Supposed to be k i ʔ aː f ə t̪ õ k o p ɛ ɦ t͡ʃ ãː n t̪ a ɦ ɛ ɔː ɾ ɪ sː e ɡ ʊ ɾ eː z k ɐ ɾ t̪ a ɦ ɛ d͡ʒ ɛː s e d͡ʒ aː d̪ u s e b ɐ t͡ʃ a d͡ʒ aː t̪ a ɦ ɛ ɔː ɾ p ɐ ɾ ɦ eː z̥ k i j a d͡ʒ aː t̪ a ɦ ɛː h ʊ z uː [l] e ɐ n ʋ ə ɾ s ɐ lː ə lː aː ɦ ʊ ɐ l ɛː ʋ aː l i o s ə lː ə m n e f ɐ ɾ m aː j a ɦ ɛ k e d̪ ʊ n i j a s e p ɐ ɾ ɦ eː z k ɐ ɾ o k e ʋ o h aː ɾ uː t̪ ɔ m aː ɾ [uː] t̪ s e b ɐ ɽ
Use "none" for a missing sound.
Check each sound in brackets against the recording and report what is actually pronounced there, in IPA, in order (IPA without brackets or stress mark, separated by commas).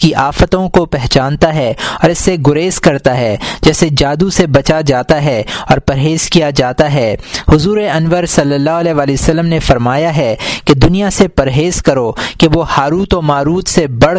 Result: ɾ, uː